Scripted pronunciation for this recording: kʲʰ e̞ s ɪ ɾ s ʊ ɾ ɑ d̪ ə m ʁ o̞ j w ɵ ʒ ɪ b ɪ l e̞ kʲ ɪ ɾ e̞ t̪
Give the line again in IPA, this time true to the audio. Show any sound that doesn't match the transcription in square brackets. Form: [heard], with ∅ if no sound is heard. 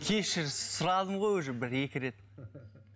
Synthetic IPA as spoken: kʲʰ e̞ [ʃ] ɪ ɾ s ʊ ɾ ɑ d̪ ə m ʁ o̞ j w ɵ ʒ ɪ b ɪ [ɾ] e̞ kʲ ɪ ɾ e̞ t̪

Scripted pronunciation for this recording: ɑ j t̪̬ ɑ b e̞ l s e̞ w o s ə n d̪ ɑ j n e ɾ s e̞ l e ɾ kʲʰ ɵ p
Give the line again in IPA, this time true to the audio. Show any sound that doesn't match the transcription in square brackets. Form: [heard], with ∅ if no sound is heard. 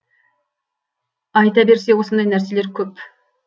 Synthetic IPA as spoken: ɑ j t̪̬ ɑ b e̞ [ɾ] s e̞ w o s ə n d̪ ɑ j n [æ] ɾ s e̞ l e ɾ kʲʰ ɵ p

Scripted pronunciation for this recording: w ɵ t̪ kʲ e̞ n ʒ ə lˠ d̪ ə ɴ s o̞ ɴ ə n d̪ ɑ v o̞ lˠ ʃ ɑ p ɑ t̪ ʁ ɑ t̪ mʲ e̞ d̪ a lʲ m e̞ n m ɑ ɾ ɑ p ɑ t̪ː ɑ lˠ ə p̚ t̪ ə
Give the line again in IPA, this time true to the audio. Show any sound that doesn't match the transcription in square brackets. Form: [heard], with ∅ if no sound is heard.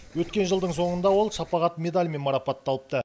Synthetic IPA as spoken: w ɵ t̪ kʲ e̞ n ʒ ə lˠ d̪ ə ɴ s o̞ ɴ ə n d̪ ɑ [w] o̞ lˠ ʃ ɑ p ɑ [∅] ʁ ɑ t̪ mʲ e̞ d̪ a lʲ m e̞ n m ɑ ɾ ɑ p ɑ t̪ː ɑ lˠ ə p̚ t̪ ə

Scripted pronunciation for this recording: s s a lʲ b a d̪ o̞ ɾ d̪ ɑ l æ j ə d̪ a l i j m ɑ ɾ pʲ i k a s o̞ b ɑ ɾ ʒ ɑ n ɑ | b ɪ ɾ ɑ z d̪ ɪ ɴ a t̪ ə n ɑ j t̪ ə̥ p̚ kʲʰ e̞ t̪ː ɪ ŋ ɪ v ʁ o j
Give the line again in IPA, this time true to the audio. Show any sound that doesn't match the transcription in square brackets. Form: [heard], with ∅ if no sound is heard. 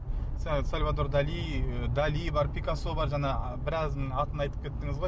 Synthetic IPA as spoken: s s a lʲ [v] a d̪ o̞ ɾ d̪ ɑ l [i] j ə d̪ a l i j [b] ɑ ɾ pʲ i k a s o̞ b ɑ ɾ ʒ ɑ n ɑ | b ɪ ɾ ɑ z d̪ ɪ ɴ [ɑ] t̪ ə n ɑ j t̪ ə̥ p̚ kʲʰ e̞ t̪ː ɪ ŋ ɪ [z] ʁ o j

